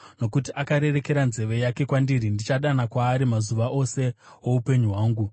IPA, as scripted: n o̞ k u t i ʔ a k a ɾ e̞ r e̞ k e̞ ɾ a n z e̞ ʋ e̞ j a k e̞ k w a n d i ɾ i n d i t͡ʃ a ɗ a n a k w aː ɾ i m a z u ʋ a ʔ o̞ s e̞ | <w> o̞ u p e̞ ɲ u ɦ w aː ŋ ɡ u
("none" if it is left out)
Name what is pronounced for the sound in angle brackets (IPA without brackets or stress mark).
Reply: w